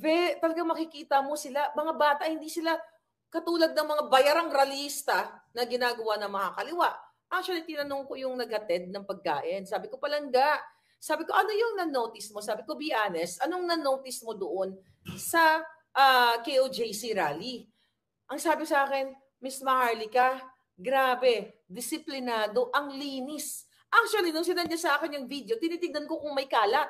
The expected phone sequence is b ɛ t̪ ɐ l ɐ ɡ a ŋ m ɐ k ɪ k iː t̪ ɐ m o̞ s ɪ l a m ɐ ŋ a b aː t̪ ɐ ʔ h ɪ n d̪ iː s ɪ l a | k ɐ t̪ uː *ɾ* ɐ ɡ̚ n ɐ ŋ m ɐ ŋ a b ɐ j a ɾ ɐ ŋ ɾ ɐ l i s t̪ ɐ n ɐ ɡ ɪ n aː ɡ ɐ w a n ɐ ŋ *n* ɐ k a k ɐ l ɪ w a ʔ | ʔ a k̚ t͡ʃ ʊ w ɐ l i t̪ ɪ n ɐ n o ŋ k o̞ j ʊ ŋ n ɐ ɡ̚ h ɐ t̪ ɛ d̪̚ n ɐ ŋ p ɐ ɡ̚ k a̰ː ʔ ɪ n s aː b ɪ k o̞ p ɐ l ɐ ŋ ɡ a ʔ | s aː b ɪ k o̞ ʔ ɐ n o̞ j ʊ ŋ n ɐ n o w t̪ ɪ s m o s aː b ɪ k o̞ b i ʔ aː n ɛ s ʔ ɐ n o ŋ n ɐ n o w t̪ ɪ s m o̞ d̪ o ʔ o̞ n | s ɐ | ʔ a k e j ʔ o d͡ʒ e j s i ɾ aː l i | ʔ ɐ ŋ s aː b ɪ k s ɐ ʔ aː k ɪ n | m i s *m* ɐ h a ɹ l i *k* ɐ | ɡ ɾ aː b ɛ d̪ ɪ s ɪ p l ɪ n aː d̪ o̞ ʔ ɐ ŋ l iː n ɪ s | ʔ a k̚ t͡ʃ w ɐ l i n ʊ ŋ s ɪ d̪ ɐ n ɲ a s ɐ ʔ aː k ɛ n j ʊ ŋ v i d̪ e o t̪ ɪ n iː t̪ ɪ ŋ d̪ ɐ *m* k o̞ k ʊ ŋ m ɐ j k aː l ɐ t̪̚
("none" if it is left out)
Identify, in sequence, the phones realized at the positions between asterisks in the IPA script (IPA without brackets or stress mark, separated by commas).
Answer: l, m, m, k, n